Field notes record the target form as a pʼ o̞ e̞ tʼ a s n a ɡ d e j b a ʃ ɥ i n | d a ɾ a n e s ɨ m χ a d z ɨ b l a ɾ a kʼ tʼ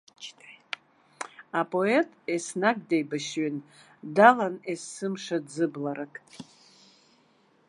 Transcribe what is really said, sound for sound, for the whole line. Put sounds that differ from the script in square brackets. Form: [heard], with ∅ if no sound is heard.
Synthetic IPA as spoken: a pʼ o̞ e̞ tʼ [e] s n a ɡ d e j b a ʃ ɥ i n | d a [l] a n e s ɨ m [ʂ] a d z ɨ b l a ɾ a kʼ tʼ